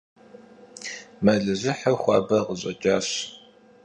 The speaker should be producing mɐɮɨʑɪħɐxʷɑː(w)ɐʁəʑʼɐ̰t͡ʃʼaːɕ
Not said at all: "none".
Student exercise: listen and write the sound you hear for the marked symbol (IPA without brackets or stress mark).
b